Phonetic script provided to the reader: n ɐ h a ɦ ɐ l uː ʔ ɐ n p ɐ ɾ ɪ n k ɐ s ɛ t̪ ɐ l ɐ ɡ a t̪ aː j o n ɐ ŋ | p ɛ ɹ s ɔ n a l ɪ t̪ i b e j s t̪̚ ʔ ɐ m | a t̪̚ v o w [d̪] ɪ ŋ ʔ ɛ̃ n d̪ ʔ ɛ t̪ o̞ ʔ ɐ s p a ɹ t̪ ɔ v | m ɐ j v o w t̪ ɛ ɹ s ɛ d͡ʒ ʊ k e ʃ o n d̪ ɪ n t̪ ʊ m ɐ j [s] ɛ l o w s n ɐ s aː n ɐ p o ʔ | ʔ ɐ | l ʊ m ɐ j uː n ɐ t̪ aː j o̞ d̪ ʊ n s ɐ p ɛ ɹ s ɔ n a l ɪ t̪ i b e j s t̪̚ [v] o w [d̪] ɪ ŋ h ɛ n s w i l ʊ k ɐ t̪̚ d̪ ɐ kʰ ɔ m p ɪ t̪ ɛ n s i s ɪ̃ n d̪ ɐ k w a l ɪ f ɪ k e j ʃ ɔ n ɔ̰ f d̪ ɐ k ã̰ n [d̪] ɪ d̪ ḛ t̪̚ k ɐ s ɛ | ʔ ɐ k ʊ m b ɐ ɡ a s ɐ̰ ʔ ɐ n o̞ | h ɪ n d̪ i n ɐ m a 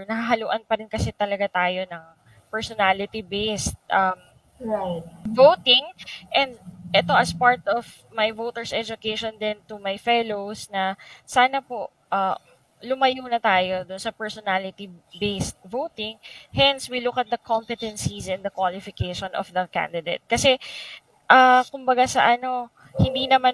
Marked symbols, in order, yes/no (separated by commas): no, no, yes, no, yes